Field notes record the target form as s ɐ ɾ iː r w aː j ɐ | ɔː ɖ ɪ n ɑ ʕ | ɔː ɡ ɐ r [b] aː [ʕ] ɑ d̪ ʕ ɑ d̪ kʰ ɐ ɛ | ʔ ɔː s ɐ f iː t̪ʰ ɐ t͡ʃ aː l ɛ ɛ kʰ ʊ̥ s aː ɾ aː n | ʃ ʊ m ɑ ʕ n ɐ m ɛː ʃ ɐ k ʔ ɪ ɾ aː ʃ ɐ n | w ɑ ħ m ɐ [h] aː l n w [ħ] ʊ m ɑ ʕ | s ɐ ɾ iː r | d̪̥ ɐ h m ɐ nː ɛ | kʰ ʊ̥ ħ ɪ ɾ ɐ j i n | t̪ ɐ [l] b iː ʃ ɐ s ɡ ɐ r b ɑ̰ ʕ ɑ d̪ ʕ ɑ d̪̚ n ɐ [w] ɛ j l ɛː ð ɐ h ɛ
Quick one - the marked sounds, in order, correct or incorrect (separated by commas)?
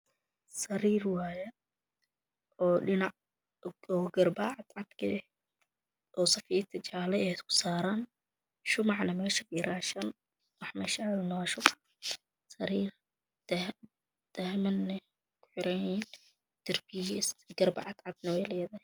correct, correct, incorrect, incorrect, incorrect, correct